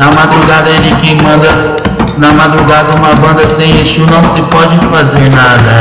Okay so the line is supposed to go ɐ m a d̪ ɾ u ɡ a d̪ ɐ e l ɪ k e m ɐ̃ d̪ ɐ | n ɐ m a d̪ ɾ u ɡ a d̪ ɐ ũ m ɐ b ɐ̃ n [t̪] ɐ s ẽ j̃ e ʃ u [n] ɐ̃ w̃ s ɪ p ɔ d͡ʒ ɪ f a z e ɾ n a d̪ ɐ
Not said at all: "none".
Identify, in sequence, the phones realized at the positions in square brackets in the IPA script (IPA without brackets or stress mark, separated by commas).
d̪, n